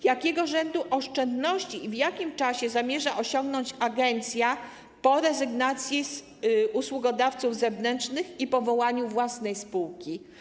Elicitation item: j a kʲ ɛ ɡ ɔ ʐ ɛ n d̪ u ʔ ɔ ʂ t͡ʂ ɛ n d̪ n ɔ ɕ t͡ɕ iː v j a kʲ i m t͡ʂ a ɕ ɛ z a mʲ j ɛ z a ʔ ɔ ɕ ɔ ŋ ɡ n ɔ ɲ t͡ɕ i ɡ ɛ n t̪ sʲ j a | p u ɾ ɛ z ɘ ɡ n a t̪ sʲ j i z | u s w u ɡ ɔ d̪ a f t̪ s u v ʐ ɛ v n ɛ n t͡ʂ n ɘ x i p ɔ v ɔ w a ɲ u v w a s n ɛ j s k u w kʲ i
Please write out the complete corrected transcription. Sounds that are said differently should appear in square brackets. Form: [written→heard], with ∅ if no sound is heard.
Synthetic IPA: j a kʲ ɛ ɡ ɔ ʐ ɛ n d̪ u ʔ ɔ ʂ t͡ʂ ɛ n d̪ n ɔ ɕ t͡ɕ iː v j a kʲ i m t͡ʂ a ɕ ɛ z a mʲ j ɛ [z→ʐ] a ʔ ɔ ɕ ɔ ŋ ɡ n ɔ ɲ t͡ɕ [i→a] ɡ ɛ n t̪ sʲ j a | p [u→ɔ] ɾ ɛ z ɘ ɡ n a t̪ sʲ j i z | u s w u ɡ ɔ d̪ a f t̪ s u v [ʐ→z] ɛ v n ɛ n t͡ʂ n ɘ x i p ɔ v ɔ w a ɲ u v w a s n ɛ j s [k→p] u w kʲ i